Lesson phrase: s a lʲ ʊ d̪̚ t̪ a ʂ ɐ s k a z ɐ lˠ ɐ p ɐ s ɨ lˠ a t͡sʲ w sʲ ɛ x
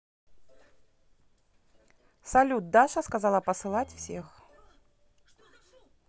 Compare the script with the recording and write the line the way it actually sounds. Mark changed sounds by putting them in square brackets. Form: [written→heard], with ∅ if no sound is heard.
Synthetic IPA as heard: s a lʲ [ʊ→u] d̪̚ [t̪→d̪] a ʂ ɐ s k a z [ɐ→a] lˠ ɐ p ɐ s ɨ lˠ a t͡sʲ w sʲ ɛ x